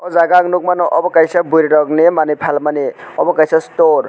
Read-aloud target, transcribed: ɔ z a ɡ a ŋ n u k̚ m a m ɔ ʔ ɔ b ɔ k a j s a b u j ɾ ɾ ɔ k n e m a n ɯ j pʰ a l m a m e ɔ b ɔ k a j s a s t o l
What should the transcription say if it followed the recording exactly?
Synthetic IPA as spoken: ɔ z a ɡ a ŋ n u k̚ m a n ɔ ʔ ɔ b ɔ k a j s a b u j ɾ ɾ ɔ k n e m a n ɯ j pʰ a l m a n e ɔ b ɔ k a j s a s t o ɾ